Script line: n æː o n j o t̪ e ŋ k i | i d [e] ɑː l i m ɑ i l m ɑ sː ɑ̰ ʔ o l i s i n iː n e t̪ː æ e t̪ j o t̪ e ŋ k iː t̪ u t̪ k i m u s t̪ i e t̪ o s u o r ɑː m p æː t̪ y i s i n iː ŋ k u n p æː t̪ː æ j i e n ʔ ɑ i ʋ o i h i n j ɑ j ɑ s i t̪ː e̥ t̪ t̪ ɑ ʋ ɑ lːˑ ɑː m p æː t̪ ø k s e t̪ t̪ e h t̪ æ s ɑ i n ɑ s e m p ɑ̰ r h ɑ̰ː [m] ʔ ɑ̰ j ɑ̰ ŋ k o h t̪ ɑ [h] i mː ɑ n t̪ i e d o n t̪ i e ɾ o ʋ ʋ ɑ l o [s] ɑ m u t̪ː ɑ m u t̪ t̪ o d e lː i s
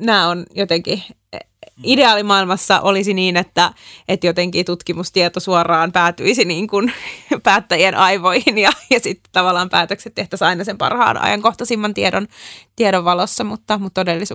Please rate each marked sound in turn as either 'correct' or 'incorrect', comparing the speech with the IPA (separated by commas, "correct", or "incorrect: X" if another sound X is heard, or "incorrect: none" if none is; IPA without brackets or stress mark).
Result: correct, incorrect: n, incorrect: s, incorrect: sː